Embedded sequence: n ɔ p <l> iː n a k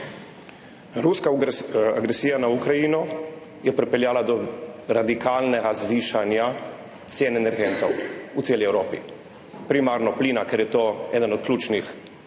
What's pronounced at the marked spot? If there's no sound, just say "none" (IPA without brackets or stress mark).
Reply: l